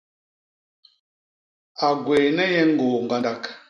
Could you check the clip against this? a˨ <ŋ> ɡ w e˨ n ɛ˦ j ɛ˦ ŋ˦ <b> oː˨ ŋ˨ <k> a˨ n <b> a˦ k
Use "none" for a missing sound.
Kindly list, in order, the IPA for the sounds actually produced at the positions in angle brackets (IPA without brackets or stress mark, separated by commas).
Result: none, ɡ, ɡ, d